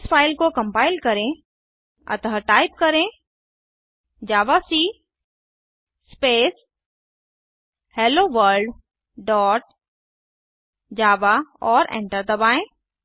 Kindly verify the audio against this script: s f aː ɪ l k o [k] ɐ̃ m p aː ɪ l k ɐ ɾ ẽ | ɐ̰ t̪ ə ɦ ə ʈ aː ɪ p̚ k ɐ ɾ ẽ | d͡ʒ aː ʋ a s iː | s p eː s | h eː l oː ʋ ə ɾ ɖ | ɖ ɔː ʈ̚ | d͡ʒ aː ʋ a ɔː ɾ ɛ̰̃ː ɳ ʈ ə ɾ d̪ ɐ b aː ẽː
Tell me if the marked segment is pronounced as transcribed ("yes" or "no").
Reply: yes